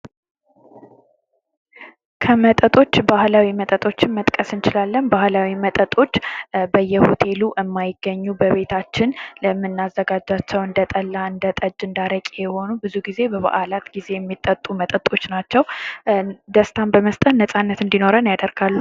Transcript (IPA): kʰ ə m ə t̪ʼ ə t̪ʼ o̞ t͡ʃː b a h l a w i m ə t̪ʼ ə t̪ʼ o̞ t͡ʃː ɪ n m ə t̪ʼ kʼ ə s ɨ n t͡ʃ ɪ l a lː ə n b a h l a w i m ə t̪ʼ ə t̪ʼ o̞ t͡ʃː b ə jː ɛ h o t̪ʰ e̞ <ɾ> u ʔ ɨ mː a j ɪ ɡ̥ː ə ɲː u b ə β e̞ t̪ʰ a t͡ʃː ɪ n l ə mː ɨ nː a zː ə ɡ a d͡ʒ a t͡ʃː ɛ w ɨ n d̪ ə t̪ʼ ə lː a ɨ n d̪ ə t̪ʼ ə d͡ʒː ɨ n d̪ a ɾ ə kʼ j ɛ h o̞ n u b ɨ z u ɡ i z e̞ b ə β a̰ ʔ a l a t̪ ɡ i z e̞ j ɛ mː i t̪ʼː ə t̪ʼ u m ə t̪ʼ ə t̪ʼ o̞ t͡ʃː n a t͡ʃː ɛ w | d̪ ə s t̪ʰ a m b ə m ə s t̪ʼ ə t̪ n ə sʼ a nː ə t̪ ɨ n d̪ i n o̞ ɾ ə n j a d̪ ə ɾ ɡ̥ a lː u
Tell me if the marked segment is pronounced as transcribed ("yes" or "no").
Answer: no